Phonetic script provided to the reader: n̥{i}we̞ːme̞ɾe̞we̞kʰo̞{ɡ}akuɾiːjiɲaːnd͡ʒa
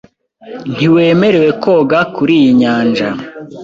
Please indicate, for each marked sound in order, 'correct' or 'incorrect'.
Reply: correct, correct

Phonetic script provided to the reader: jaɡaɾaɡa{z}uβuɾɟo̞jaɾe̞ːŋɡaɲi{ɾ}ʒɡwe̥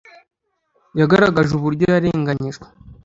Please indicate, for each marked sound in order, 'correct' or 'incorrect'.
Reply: incorrect: ʒ, incorrect: none

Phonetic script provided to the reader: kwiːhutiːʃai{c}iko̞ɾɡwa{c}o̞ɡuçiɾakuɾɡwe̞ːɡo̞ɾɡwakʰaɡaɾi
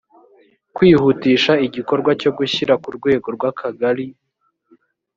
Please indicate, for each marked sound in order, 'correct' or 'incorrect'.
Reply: incorrect: ɟ, correct

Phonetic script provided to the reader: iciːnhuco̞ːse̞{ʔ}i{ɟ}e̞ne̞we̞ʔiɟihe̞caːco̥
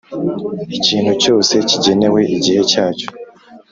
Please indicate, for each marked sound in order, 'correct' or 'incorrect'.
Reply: incorrect: c, correct

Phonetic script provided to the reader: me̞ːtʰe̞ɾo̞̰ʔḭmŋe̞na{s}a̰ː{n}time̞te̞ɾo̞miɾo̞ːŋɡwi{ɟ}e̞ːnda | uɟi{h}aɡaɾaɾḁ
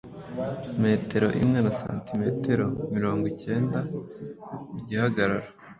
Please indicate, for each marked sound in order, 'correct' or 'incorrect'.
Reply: correct, correct, incorrect: c, correct

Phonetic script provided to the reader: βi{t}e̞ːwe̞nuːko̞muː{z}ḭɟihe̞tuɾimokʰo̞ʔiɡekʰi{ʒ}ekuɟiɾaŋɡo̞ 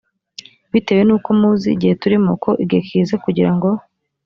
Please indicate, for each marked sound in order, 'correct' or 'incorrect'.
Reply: correct, correct, incorrect: z

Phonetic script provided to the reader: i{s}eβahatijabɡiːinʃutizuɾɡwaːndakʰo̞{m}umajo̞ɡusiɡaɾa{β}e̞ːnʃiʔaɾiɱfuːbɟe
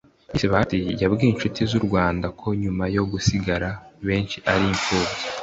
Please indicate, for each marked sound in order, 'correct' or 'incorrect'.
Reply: correct, incorrect: ɲ, correct

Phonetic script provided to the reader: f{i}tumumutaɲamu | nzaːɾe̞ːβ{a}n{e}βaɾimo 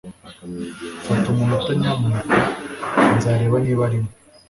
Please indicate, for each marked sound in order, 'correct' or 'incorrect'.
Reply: incorrect: a, correct, incorrect: i

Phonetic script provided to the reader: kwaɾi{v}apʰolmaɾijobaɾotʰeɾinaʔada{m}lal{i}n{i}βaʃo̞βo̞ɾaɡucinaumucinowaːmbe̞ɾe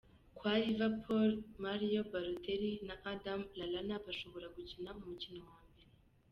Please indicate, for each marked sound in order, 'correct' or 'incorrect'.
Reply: correct, correct, incorrect: a, incorrect: a

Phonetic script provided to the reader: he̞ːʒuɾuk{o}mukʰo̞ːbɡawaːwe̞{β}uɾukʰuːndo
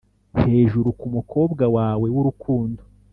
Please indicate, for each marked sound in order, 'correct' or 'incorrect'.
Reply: incorrect: u, incorrect: w

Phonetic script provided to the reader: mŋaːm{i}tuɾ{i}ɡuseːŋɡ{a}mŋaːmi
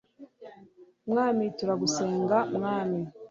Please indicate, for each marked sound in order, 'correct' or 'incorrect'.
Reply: correct, incorrect: a, correct

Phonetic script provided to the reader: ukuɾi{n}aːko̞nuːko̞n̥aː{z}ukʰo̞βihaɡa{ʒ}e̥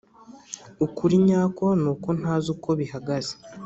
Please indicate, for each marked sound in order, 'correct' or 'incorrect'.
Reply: incorrect: ɲ, correct, incorrect: z

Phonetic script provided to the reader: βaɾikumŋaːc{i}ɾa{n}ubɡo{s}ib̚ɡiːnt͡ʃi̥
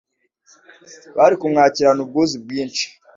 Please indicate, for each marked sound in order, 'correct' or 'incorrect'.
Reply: correct, correct, incorrect: z

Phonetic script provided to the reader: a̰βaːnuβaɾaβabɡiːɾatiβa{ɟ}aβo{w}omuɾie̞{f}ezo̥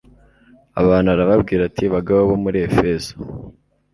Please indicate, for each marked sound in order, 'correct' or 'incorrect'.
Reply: incorrect: ɡ, incorrect: β, correct

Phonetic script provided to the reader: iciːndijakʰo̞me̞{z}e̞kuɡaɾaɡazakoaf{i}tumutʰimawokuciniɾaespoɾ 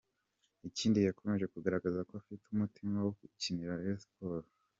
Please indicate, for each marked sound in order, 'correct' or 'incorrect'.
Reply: incorrect: ʒ, correct

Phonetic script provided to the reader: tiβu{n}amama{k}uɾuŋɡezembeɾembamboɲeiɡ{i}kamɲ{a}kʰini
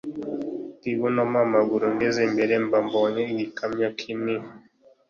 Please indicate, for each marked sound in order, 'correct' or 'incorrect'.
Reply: correct, incorrect: ɡ, correct, correct

